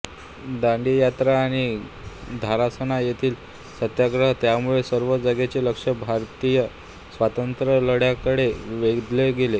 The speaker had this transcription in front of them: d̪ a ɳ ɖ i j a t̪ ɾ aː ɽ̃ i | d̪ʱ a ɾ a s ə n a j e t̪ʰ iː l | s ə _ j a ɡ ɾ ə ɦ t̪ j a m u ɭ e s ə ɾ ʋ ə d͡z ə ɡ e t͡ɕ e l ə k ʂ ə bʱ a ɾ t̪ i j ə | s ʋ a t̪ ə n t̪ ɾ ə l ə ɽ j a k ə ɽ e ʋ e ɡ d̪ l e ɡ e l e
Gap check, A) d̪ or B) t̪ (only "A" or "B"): B